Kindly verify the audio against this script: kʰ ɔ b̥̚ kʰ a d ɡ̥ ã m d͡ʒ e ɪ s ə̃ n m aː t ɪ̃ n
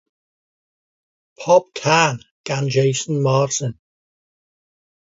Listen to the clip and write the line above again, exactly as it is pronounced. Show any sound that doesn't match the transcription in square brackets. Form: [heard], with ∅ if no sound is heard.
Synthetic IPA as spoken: [pʰ] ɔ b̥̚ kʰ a [n] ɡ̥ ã [n] d͡ʒ e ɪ s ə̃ n m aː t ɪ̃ n